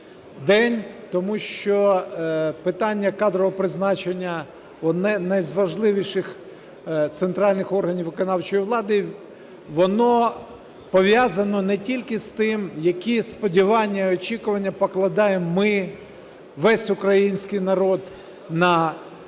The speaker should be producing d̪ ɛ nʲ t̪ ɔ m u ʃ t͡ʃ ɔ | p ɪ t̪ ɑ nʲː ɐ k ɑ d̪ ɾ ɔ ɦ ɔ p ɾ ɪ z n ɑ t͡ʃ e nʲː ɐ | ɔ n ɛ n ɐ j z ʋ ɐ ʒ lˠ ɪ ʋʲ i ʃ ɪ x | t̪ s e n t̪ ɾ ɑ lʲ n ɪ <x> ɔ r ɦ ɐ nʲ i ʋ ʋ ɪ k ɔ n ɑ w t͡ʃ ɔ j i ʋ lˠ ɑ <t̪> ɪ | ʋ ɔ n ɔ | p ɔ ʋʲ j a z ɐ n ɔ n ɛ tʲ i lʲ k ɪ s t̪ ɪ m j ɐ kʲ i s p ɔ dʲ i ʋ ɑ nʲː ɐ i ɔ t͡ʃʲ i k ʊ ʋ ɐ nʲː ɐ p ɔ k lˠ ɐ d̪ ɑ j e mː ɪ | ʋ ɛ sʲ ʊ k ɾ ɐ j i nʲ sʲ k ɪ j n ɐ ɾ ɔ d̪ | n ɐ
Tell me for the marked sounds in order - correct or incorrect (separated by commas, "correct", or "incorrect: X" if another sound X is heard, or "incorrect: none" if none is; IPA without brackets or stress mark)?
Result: correct, incorrect: d̪